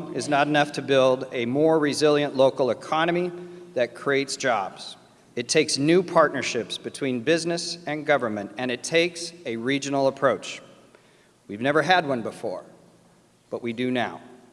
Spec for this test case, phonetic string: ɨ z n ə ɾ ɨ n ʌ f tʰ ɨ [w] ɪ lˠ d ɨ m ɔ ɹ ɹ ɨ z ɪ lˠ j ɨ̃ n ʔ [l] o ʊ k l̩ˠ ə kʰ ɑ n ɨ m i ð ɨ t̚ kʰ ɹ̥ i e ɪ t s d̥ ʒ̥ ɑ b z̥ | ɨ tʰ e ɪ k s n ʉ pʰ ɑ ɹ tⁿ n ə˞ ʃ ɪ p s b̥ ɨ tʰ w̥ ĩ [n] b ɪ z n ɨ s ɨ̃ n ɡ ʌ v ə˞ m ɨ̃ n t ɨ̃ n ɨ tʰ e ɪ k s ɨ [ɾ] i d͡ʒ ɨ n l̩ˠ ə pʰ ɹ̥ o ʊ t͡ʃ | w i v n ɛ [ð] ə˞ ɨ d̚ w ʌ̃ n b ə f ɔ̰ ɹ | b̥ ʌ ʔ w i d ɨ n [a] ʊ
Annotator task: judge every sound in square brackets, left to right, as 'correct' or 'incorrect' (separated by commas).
incorrect, correct, correct, incorrect, incorrect, correct